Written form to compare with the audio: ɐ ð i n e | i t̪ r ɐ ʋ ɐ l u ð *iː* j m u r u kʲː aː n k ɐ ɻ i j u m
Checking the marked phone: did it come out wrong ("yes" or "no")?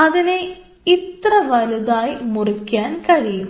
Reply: yes